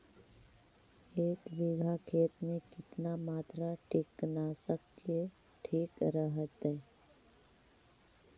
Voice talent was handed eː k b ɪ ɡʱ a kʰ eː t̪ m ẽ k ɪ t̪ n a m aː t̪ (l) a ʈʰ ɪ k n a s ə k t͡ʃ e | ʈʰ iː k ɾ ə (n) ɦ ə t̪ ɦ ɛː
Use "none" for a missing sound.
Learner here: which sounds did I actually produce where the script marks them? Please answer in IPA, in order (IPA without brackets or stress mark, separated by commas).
ɾ, none